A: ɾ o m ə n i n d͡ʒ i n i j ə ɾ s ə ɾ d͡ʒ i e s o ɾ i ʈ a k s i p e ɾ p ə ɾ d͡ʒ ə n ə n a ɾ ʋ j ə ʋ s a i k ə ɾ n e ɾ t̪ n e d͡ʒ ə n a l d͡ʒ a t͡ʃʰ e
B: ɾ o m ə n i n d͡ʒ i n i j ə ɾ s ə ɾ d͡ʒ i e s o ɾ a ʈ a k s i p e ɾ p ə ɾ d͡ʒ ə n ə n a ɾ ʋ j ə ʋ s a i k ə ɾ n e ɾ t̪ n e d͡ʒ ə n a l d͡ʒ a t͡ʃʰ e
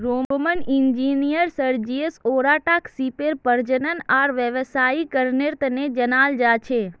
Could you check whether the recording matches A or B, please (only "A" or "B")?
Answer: B